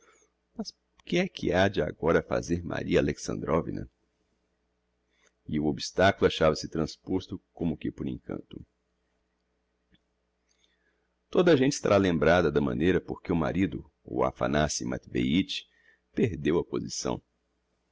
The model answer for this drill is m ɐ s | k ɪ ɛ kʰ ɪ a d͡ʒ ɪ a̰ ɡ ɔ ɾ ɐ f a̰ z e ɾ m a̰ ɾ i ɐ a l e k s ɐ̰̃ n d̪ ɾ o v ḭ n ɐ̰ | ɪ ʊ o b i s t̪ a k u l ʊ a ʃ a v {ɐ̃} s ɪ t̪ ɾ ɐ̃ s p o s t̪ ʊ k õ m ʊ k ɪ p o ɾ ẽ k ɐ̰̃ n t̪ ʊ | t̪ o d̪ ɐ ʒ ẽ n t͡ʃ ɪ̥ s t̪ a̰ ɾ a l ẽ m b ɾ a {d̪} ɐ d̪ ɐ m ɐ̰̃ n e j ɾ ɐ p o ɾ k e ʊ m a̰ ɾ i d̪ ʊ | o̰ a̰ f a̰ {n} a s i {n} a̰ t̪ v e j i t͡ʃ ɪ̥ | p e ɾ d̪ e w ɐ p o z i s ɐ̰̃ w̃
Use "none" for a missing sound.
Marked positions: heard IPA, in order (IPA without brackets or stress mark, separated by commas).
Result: ɐ, d̪, n, m